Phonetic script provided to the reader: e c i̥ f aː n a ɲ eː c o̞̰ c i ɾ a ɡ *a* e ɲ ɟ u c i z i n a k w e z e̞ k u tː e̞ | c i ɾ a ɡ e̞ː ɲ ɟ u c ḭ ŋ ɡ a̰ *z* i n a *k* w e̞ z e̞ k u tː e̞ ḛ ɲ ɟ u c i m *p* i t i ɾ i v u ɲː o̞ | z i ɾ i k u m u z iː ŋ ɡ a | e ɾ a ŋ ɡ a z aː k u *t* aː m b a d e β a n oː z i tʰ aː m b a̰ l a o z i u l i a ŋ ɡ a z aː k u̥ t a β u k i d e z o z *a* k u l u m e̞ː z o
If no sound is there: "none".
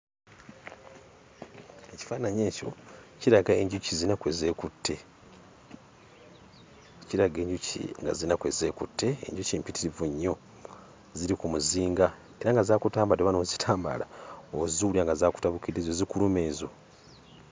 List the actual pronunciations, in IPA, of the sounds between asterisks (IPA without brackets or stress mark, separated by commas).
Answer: a, z, k, p, t, i